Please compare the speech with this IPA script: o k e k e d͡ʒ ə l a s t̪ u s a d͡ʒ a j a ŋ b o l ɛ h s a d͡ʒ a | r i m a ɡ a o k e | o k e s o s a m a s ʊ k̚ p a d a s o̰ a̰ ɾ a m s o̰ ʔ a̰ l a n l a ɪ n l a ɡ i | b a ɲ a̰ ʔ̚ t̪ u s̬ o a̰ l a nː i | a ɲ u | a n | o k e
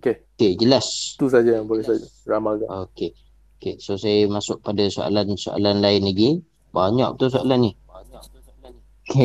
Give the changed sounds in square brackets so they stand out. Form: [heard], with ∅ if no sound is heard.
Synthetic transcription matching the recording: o k e k e d͡ʒ ə l a s t̪ u s a d͡ʒ a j a ŋ b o l ɛ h s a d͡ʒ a | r [a] m a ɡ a o k e | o k e s o s a m a s ʊ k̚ p a d a s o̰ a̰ [l] a [n] s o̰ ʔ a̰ l a n l a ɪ n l a ɡ i | b a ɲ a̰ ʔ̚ t̪ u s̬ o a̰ l a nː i | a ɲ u | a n | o k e